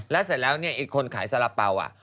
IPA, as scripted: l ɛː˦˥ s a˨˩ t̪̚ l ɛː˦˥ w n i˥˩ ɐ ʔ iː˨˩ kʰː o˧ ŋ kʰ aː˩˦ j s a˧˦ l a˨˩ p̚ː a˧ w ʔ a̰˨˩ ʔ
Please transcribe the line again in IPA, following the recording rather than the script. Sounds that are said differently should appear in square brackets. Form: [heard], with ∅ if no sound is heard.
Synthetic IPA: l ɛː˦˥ s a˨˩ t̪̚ l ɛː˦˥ w n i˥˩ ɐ ʔ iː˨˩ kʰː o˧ [n] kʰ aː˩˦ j s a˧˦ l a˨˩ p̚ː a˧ w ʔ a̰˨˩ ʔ